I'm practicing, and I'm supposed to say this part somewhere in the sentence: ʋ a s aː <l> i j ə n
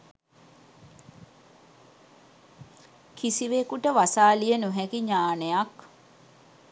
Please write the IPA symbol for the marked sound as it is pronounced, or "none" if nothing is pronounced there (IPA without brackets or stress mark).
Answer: l